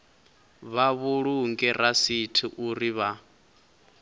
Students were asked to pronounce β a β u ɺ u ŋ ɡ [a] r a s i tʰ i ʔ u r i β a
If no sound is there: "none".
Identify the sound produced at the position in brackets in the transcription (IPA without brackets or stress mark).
ɛ